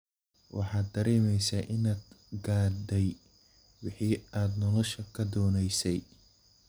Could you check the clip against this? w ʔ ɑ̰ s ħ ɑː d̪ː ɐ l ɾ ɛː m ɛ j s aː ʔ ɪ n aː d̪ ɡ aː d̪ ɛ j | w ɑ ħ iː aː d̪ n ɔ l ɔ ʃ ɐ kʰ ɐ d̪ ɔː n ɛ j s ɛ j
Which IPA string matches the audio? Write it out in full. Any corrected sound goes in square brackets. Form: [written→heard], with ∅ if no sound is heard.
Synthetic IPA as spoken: w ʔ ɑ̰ [s→∅] ħ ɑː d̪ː ɐ [l→∅] ɾ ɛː m ɛ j s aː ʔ ɪ n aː d̪ ɡ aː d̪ ɛ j | w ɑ ħ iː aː d̪ n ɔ l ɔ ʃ ɐ kʰ ɐ d̪ ɔː n ɛ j s ɛ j